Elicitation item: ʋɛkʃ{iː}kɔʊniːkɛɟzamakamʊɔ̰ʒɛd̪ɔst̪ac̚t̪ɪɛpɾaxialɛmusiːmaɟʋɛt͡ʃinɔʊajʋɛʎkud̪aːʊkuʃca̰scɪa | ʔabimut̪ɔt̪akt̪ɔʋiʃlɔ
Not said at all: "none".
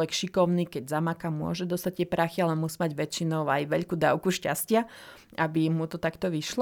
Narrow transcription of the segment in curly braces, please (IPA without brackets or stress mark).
i